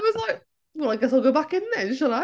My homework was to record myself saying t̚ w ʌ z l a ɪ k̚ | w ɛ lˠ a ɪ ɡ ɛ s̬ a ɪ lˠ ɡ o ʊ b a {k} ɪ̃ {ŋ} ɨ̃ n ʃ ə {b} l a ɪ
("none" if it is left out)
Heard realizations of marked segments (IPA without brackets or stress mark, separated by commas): k, n, none